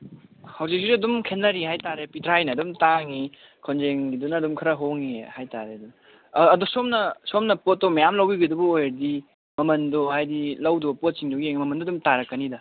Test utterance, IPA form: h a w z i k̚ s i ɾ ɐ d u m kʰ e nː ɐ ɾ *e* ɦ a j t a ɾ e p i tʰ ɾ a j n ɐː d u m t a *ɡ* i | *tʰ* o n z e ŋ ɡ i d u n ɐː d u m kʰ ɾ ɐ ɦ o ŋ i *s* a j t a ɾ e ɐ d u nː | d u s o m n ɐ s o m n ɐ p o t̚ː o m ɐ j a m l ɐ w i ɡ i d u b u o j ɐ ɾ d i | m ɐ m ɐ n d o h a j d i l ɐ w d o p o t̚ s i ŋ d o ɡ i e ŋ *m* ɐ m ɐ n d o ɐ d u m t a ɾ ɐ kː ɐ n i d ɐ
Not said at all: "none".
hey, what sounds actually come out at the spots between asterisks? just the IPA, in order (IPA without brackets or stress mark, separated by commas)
i, ŋ, kʰ, h, m